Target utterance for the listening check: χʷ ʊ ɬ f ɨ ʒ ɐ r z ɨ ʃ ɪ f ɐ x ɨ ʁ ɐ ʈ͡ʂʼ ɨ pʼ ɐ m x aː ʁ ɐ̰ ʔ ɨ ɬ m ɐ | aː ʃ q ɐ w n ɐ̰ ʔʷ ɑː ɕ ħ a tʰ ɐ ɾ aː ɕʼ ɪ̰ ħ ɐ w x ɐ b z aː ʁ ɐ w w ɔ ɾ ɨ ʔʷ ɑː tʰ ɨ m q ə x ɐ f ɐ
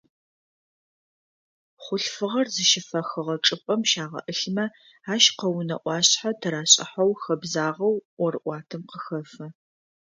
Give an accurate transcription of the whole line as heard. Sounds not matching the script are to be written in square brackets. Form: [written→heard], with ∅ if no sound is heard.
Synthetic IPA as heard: χʷ ʊ ɬ f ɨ [ʒ→ʁ] ɐ r z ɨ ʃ ɪ f ɐ x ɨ ʁ ɐ ʈ͡ʂʼ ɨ pʼ ɐ m [x→ʃ] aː ʁ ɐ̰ ʔ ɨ ɬ m ɐ | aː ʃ q ɐ w n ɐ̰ ʔʷ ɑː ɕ ħ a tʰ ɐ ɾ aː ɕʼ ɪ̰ ħ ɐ w x ɐ b z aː ʁ ɐ w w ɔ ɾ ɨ ʔʷ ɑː tʰ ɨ m q ə x ɐ f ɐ